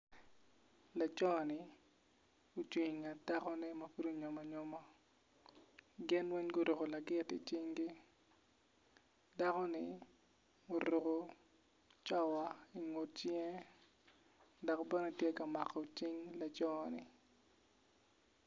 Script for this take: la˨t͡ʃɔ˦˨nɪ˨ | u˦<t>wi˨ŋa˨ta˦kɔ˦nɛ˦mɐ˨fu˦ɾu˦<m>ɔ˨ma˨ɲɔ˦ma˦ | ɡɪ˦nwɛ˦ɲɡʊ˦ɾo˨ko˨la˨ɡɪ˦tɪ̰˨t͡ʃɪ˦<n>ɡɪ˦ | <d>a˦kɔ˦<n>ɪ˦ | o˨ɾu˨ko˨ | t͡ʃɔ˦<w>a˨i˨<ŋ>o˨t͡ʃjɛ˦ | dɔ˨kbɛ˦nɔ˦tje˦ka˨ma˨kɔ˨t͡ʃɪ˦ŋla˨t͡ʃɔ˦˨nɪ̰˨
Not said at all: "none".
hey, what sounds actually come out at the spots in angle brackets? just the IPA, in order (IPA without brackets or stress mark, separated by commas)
t͡ʃ, ɲ, ŋ, d, n, w, ŋ